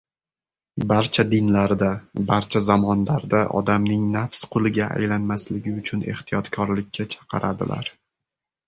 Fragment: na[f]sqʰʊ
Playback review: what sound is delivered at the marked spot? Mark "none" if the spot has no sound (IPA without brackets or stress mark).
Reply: f